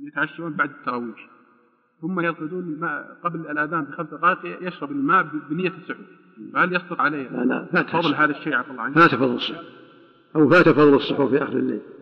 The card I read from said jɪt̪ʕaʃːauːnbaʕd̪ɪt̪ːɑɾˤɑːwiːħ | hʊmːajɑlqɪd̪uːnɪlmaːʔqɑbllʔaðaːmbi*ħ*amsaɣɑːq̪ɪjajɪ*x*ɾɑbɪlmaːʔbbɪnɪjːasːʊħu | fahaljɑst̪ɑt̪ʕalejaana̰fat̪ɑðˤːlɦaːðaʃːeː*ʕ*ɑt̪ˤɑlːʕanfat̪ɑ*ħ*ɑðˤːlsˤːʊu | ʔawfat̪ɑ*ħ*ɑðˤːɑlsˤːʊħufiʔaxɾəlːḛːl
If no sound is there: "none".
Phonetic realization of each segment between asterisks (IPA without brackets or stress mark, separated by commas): x, ʃ, ʕ, f, f